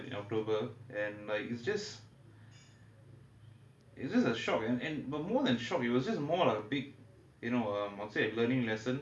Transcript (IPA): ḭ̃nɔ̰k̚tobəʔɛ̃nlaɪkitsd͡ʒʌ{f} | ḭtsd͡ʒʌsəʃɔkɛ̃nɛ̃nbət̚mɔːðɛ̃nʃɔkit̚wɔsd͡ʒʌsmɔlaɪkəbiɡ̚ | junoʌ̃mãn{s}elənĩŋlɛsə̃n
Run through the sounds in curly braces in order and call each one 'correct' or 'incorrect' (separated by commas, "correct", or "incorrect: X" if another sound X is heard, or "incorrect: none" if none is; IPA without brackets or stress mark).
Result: incorrect: s, correct